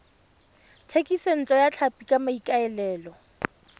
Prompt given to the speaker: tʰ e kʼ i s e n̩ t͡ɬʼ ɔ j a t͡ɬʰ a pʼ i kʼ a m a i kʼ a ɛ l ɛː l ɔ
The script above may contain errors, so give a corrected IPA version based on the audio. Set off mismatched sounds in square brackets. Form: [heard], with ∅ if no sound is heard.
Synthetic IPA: tʰ e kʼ i s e n̩ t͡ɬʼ ɔ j a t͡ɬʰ a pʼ i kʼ a m a i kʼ a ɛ l ɛː l ɔ

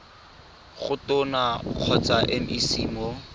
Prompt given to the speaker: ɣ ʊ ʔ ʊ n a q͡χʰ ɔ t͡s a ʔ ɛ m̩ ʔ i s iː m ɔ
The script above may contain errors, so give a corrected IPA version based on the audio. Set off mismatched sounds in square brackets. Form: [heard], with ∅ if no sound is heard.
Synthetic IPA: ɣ ʊ [t] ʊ n a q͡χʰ ɔ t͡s a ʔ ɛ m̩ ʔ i s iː m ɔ

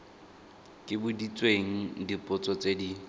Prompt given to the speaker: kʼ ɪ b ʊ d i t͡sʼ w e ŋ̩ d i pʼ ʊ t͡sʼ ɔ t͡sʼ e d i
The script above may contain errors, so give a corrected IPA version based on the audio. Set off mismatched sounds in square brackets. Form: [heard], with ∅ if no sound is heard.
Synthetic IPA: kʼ ɪ b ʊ d i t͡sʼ w e ŋ̩ d i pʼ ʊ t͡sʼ ɔ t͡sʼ e d i

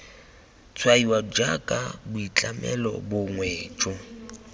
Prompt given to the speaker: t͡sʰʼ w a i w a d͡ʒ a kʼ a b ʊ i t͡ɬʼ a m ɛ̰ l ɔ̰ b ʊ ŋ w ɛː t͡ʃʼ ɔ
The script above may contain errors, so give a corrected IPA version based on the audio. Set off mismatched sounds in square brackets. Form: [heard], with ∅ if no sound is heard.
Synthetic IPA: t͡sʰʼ w a i w a d͡ʒ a kʼ a b ʊ i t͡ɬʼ a m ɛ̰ l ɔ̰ b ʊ ŋ w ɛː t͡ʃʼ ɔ

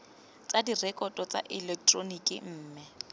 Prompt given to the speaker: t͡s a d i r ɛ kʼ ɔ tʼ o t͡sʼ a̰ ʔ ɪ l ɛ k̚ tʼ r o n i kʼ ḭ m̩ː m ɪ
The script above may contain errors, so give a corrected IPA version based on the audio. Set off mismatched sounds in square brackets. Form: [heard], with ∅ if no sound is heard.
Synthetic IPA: t͡s a d i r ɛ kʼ ɔ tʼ [ɔ] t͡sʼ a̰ ʔ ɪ l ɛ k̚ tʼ r o n i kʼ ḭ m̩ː m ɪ

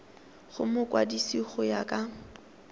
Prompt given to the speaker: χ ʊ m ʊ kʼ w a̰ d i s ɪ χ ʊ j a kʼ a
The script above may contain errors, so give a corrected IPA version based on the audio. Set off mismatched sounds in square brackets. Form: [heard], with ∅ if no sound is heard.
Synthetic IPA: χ ʊ m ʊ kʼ w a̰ d i s [i] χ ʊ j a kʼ a

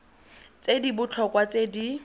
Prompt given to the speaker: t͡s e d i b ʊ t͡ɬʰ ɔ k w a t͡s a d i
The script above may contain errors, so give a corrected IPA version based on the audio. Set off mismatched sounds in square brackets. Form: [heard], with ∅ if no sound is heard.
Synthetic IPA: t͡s e d i b ʊ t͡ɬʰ ɔ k w a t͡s [e] d i

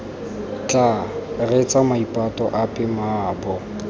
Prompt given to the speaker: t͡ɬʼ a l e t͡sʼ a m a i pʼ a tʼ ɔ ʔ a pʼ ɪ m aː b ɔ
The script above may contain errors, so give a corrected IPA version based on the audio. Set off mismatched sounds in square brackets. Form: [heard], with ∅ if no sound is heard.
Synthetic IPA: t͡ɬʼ a [r] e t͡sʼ a m a i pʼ a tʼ ɔ ʔ a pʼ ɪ m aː b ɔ

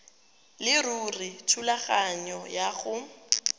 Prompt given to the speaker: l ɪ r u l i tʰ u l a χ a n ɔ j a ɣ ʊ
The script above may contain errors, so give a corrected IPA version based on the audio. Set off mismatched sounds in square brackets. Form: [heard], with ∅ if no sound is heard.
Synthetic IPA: l ɪ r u [r] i tʰ u l a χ a [ɲ] ɔ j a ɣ ʊ

